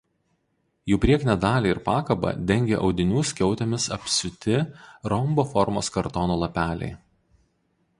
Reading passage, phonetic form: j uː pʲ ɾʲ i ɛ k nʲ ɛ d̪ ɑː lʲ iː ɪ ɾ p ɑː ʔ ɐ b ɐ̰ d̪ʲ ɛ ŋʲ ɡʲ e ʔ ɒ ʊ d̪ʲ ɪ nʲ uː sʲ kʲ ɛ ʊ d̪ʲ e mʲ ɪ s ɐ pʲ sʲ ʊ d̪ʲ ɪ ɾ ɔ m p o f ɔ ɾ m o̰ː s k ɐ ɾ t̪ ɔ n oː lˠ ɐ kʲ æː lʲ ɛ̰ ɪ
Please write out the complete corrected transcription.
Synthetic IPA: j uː pʲ ɾʲ i ɛ k nʲ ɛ d̪ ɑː lʲ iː ɪ ɾ p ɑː k ɐ b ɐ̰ d̪ʲ ɛ ŋʲ ɡʲ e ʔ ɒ ʊ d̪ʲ ɪ nʲ uː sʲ kʲ ɛ ʊ t̪ʲ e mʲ ɪ s ɐ pʲ sʲ ʊ t̪ʲ ɪ ɾ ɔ m b o f ɔ ɾ m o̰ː s k ɐ ɾ t̪ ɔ n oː lˠ ɐ pʲ æː lʲ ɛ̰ ɪ